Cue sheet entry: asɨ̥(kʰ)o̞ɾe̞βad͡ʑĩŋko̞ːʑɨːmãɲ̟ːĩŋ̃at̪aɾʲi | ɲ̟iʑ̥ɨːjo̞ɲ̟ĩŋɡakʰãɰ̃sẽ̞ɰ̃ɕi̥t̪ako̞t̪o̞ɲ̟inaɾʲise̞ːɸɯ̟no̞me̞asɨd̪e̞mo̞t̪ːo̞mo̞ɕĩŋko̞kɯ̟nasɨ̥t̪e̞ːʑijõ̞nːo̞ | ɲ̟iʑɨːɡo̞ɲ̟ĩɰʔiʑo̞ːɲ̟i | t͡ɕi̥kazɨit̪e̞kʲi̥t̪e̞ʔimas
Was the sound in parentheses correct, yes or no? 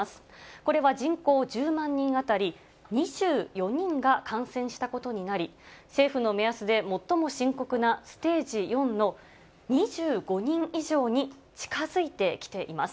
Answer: no